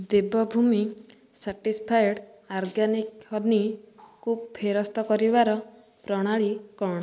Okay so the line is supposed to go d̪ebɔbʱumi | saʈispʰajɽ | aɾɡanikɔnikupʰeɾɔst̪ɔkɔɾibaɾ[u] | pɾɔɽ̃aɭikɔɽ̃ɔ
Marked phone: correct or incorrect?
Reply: incorrect